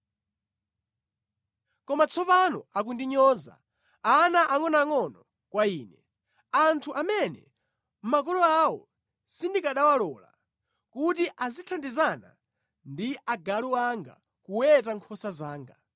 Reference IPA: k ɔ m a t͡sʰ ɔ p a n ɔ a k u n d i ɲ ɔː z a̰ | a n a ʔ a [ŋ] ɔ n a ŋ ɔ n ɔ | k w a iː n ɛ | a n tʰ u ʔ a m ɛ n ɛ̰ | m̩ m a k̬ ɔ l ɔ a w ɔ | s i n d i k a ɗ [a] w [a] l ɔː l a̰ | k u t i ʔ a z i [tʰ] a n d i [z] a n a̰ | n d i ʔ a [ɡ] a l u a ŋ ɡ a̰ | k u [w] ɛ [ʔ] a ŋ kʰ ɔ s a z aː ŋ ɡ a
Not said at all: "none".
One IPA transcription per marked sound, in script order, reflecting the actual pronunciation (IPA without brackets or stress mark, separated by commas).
ŋ, a, a, tʰ, z, ɡ, w, t